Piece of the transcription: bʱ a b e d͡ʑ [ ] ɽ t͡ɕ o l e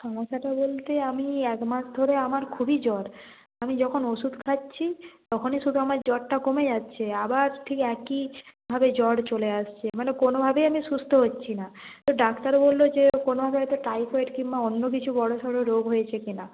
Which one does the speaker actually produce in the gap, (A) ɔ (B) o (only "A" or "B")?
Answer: A